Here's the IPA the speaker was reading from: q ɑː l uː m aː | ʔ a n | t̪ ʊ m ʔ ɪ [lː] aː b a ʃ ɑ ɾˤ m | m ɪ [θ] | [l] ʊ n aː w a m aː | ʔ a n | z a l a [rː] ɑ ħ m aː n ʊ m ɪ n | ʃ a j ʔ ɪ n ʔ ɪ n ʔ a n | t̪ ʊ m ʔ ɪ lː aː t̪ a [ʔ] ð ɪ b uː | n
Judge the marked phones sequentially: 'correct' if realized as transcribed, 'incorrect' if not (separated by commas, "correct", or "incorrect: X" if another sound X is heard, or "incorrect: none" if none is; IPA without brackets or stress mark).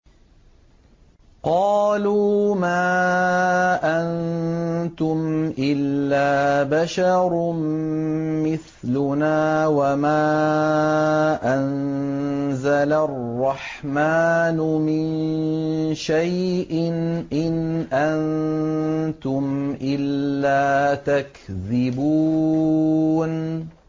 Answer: correct, correct, correct, correct, incorrect: k